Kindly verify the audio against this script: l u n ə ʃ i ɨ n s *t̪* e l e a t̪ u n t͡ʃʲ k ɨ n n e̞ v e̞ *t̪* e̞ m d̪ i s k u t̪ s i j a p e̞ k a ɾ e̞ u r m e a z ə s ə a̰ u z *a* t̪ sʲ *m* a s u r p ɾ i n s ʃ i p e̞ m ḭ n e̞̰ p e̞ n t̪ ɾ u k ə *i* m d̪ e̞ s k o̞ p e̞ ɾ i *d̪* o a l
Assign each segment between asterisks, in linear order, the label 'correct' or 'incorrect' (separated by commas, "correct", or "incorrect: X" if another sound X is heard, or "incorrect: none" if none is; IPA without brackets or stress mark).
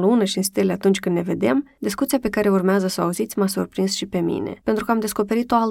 correct, incorrect: d̪, incorrect: i, correct, incorrect: a, incorrect: t̪